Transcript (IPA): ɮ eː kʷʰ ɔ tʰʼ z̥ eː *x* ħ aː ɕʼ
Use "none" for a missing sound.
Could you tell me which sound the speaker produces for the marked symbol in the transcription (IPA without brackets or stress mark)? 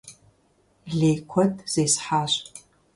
s